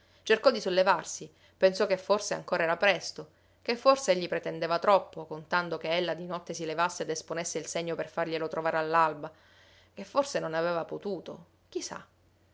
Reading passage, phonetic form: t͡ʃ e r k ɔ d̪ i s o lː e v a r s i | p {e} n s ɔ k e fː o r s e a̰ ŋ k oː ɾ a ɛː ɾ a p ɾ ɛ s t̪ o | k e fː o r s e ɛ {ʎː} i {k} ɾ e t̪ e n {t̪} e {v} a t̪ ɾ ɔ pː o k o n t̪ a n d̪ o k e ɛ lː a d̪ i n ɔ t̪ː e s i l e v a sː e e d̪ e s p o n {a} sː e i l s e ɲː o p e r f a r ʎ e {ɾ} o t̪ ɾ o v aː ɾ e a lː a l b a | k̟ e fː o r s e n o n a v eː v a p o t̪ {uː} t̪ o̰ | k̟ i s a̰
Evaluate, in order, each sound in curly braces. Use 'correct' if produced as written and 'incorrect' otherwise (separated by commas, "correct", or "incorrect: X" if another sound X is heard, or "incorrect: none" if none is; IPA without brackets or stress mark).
correct, correct, incorrect: p, incorrect: d̪, correct, incorrect: e, incorrect: l, correct